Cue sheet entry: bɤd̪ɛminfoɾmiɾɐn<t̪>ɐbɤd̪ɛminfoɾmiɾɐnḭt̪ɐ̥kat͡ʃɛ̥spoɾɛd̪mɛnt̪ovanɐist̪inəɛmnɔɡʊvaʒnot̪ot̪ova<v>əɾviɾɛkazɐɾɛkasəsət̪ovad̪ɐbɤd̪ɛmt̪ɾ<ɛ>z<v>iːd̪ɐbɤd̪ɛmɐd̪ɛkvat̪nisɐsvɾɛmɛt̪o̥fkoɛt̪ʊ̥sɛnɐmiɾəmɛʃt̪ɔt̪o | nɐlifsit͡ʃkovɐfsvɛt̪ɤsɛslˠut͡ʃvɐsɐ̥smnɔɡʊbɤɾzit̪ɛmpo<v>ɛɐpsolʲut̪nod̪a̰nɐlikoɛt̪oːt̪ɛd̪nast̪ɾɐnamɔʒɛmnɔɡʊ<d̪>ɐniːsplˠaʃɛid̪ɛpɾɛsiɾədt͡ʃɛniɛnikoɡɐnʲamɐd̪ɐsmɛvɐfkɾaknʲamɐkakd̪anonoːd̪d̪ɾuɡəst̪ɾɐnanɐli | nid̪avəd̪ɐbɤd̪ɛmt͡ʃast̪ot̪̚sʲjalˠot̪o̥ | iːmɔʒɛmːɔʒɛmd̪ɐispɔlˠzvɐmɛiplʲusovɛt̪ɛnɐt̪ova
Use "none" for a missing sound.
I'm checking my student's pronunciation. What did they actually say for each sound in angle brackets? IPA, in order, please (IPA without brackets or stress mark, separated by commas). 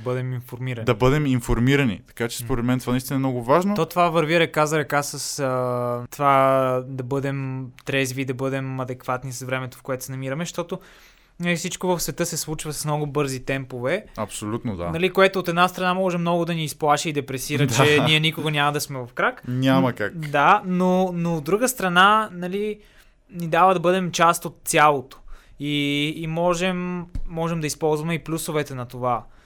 d̪, v, ɛ, v, v, d̪